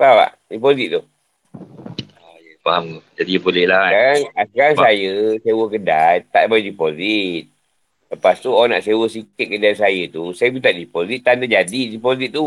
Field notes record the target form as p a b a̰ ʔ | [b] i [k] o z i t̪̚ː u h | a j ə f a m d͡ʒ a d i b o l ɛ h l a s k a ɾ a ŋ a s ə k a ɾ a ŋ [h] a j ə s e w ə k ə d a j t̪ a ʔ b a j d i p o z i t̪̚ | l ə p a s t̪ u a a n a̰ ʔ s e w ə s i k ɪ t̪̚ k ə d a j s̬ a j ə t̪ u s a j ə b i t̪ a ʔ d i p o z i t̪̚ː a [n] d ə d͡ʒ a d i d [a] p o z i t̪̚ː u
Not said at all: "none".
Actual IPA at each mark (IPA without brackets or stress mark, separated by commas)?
d, p, s, n, i